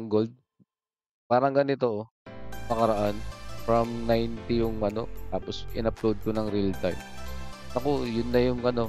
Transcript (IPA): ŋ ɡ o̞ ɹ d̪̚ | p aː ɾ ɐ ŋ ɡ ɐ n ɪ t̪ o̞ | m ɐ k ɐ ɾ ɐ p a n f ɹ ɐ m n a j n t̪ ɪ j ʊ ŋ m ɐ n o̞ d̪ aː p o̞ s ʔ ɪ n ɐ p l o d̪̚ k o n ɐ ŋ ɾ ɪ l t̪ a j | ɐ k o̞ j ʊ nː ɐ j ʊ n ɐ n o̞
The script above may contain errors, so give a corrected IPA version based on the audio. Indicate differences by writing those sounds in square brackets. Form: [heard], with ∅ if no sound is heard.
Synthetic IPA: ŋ ɡ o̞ [l] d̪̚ | p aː ɾ ɐ ŋ ɡ ɐ n ɪ t̪ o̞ | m ɐ k ɐ ɾ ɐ [ʔ] a n f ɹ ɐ m n a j n t̪ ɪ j ʊ ŋ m ɐ n o̞ [t̪] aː p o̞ s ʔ ɪ n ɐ p l o d̪̚ k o n ɐ ŋ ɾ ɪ l t̪ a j | ɐ k o̞ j ʊ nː ɐ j ʊ [ŋ] ɐ n o̞